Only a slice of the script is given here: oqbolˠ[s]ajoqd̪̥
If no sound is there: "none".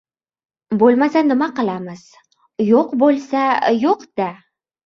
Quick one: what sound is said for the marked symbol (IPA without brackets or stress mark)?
s